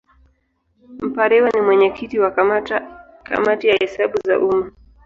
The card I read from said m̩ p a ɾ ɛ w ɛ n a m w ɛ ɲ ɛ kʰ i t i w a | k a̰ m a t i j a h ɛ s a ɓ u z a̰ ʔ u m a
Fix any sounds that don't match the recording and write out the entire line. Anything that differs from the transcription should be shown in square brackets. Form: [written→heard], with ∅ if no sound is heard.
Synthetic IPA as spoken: m̩ p a ɾ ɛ w [ɛ→a] n [a→i] m w ɛ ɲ ɛ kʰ i t i w a | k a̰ m a t i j a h ɛ s a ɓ u z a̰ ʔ u m a